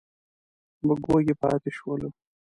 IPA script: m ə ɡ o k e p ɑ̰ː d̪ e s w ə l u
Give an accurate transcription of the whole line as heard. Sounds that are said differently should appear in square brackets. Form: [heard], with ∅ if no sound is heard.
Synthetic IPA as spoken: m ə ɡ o [ɡ] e p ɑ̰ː [t̪] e [ʃ] w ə l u